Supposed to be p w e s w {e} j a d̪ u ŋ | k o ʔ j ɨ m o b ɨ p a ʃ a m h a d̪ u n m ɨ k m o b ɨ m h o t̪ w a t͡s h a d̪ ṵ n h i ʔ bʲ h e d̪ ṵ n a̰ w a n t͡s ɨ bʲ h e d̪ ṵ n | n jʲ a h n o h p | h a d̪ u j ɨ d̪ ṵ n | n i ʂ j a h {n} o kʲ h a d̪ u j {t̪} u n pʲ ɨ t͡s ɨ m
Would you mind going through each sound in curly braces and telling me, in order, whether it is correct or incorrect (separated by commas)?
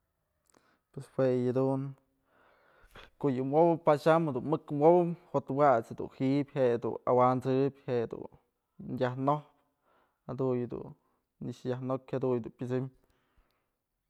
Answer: correct, correct, incorrect